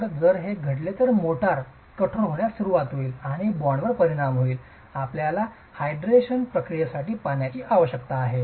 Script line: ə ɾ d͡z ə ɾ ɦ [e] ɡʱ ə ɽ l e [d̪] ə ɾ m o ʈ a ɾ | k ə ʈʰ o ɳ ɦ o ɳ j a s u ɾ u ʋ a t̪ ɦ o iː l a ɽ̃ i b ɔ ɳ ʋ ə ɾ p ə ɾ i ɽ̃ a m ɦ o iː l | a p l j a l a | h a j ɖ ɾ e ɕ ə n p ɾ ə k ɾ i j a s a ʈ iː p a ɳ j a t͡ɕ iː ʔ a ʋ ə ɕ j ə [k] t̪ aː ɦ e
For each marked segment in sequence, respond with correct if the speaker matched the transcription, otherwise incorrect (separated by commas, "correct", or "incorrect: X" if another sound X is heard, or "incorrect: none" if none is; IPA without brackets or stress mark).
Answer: correct, incorrect: t̪, correct